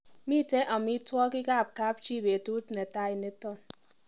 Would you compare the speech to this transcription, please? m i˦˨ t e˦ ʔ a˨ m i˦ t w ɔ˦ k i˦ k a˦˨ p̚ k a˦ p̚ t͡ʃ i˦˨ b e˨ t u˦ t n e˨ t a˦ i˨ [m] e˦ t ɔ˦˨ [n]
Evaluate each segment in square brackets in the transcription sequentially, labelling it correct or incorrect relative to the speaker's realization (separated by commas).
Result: incorrect, correct